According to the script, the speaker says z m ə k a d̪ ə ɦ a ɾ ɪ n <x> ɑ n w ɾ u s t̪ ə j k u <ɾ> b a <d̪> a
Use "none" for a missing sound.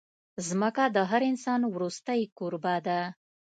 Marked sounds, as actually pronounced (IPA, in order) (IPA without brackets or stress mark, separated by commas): s, ɾ, d̪